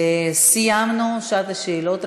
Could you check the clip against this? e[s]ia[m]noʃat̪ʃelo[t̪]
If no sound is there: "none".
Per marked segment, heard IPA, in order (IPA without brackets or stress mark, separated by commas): s, m, t̪